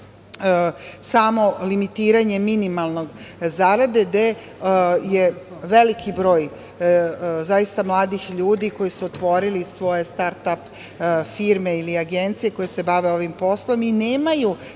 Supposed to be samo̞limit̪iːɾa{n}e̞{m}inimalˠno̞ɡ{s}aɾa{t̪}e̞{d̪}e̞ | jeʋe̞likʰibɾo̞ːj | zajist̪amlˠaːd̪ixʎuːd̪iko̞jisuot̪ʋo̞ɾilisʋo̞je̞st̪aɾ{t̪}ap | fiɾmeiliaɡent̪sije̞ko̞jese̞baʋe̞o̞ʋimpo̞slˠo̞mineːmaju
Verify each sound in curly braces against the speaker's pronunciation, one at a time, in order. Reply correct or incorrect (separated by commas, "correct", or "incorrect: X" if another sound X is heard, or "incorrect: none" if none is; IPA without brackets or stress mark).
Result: incorrect: ɲ, correct, incorrect: z, incorrect: d̪, correct, correct